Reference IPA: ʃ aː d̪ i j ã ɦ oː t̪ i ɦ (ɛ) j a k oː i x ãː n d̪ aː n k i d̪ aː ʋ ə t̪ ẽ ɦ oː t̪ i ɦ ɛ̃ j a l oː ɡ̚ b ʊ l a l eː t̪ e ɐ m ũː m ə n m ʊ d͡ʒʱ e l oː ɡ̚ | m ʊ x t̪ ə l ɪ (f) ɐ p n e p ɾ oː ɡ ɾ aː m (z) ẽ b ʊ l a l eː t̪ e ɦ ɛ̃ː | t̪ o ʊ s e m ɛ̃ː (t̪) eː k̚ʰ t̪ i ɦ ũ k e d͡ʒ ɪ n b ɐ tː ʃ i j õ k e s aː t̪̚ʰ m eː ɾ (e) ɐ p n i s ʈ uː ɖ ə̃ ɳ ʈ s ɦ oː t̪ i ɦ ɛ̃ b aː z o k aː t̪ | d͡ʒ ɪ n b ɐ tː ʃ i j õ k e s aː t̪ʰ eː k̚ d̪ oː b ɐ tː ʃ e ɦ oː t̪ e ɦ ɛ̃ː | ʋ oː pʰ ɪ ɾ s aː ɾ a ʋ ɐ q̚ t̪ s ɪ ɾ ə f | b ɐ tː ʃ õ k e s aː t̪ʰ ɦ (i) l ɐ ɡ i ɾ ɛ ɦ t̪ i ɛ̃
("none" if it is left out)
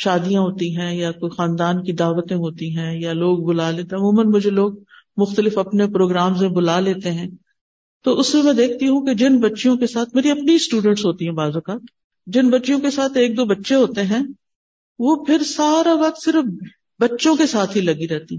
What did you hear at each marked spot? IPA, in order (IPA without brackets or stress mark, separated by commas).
ɛ̃, f, z, d̪, i, i